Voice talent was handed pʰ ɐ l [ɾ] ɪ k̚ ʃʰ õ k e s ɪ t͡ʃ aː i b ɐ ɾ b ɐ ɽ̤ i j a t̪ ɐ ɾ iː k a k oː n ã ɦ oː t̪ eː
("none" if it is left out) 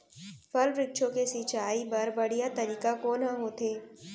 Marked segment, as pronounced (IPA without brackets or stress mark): ɾ